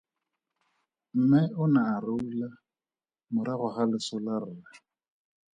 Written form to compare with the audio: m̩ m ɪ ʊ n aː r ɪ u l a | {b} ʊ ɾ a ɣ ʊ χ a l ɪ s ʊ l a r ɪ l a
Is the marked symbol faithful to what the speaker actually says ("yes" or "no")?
no